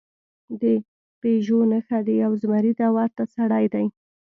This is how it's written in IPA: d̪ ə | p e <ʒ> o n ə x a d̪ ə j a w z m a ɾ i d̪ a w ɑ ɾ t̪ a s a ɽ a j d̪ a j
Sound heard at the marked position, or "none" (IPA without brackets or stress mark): ʒ